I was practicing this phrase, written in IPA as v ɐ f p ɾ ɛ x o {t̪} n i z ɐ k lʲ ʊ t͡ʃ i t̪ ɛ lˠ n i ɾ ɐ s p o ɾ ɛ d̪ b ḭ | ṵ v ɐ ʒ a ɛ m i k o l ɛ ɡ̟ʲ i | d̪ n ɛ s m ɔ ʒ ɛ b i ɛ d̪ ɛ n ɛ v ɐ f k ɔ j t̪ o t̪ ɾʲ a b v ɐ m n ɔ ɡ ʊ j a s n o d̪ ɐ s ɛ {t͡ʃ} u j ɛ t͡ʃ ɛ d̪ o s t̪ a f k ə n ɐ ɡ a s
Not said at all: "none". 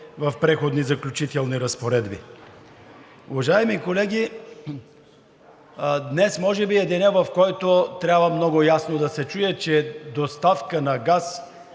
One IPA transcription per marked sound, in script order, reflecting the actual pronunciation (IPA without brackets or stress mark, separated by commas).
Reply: d̪, t͡ʃ